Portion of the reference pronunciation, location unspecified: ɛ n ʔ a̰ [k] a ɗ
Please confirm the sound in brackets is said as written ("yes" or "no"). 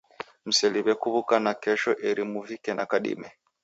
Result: yes